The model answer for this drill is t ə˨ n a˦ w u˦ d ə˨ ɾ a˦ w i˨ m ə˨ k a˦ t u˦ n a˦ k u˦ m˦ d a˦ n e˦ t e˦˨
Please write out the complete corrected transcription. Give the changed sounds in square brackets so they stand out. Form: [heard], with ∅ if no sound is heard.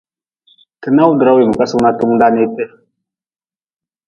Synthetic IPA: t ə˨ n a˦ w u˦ d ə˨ ɾ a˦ w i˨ m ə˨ k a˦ [s] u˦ n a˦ [t] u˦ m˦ d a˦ n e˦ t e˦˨

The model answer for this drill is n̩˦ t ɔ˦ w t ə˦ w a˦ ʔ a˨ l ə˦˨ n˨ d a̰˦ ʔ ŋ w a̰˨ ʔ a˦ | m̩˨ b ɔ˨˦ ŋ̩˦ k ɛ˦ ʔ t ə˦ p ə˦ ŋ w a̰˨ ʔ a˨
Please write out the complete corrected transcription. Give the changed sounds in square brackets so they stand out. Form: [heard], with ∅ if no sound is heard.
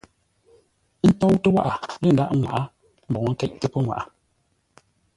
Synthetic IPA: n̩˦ t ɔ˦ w t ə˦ w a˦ ʔ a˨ l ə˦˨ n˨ d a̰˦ ʔ ŋ w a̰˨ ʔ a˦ | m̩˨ b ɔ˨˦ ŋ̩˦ k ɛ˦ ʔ t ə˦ p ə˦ ŋ w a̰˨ ʔ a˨

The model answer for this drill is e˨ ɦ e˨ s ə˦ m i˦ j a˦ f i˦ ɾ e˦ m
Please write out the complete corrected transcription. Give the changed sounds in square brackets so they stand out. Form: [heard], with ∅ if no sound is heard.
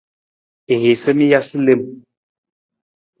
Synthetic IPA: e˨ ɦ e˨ s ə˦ m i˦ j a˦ [s] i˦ [l] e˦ m

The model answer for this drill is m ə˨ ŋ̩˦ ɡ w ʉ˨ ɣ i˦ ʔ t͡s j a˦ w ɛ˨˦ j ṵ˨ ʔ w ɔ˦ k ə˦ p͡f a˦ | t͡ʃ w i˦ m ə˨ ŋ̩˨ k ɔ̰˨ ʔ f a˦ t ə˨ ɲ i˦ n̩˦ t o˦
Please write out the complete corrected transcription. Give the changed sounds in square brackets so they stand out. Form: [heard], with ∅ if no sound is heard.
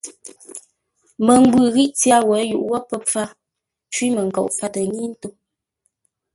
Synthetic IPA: m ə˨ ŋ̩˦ ɡ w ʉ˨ ɣ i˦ ʔ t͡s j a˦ w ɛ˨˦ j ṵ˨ ʔ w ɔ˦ [p] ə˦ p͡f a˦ | t͡ʃ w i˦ m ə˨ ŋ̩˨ k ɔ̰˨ ʔ f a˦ t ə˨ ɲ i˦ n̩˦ t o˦

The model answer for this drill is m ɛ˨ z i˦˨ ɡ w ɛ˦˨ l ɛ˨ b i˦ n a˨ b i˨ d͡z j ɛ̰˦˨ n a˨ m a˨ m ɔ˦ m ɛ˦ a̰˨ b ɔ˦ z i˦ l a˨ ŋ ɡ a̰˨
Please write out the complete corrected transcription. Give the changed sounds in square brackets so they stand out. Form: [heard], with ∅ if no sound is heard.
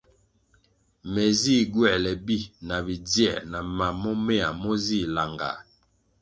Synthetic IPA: m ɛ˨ z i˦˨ ɡ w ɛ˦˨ l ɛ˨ b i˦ n a˨ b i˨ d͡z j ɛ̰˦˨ n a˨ m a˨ m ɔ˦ m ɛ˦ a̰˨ [m] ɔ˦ z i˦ l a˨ ŋ ɡ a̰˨

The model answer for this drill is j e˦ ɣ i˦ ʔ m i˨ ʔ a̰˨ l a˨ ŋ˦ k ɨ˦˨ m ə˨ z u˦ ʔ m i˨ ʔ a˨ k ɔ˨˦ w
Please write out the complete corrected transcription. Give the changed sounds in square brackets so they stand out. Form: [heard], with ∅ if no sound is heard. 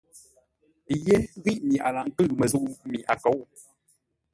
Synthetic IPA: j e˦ ɣ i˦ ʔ m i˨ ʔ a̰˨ l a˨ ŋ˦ k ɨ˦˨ m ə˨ z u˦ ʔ m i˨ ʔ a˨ k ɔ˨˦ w

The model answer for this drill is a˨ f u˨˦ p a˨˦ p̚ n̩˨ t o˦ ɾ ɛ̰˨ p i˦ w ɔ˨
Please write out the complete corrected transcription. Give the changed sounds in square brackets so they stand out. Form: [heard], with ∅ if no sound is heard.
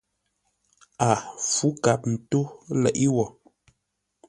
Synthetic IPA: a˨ f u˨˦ [k] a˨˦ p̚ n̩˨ t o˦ [l] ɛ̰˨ [ʔ] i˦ w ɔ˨

